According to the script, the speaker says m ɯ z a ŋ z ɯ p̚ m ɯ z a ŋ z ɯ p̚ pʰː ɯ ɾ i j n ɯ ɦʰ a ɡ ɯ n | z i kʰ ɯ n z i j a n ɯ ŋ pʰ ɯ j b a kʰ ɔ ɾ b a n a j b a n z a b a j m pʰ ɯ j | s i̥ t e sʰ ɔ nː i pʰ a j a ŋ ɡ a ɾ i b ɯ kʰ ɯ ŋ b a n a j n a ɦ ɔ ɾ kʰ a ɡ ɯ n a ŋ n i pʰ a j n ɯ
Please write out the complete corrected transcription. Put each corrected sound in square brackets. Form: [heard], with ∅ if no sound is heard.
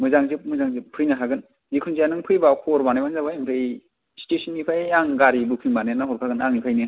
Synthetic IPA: m ɯ z a ŋ z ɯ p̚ m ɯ z a ŋ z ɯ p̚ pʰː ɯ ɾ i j n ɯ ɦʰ a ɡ ɯ n | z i kʰ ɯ n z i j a n ɯ ŋ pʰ ɯ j b a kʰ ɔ ɾ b a n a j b a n z a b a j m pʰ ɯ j | s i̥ t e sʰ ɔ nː i pʰ a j a ŋ ɡ a ɾ i b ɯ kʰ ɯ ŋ b a n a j n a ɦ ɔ ɾ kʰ a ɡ ɯ n a ŋ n i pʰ a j n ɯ